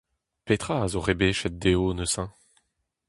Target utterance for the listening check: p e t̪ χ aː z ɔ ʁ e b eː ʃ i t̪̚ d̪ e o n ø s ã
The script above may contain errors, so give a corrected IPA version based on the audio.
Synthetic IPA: p e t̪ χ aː z o ʁ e b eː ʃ ɛ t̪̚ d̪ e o n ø s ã